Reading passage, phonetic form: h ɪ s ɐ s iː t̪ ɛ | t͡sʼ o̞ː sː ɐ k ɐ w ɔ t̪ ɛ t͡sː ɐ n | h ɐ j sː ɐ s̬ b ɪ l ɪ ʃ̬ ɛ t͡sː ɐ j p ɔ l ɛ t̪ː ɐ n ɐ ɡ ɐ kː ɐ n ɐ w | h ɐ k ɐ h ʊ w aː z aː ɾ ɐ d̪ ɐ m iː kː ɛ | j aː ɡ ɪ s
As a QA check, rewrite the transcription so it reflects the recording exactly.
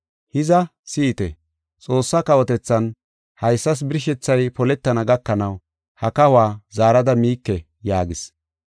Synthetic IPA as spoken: h ɪ z ɐ s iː t̪ ɛ | t͡sʼ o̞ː sː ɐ k ɐ w ɔ t̪ ɛ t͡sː ɐ n | h ɐ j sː ɐ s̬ b ɪ ɾ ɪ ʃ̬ ɛ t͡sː ɐ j p ɔ l ɛ t̪ː ɐ n ɐ ɡ ɐ kː ɐ n ɐ w | h ɐ k ɐ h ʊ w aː z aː ɾ ɐ d̪ ɐ m iː kː ɛ | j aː ɡ ɪ s